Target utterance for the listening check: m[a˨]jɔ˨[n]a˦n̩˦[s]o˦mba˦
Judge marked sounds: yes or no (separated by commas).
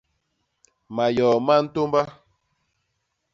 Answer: yes, no, no